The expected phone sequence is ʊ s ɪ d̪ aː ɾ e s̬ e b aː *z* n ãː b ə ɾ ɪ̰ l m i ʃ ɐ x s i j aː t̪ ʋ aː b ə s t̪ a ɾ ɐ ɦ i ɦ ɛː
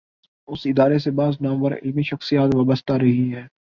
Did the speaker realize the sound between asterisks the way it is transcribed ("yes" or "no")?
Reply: yes